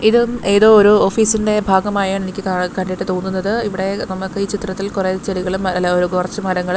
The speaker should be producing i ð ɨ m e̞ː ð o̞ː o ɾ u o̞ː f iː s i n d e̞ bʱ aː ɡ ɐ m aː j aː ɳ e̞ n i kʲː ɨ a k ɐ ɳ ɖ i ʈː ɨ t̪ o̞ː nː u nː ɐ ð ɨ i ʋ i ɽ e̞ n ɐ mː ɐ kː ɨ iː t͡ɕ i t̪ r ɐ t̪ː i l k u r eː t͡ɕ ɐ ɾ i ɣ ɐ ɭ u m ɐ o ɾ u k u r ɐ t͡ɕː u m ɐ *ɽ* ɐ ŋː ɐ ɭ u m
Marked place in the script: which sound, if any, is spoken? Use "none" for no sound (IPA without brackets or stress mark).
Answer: ɾ